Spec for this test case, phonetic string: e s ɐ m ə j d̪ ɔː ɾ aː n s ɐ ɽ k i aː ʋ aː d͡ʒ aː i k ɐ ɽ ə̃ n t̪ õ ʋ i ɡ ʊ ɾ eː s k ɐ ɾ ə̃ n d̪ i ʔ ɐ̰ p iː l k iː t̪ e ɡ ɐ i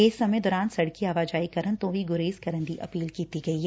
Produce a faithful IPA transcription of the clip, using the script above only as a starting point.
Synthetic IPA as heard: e s ɐ m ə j d̪ ɔː ɾ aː n s ɐ ɽ k i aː ʋ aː d͡ʒ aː i k ɐ ɾ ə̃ n t̪ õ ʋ i ɡ ʊ ɾ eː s k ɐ ɾ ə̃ n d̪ i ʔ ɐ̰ p iː l k iː t̪ i ɡ ɐ i